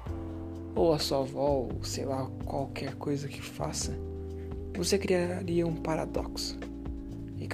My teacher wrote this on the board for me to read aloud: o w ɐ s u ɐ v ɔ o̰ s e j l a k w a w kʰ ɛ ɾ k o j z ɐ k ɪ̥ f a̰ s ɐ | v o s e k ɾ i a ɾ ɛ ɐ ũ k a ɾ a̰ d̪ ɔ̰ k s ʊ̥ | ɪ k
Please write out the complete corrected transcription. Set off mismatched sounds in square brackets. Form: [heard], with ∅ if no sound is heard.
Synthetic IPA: o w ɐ s u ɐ v ɔ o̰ s e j l a k w a w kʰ ɛ ɾ k o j z ɐ k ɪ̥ f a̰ s ɐ | v o s e k ɾ i a ɾ [i] ɐ ũ [p] a ɾ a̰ d̪ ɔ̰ k s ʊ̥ | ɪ k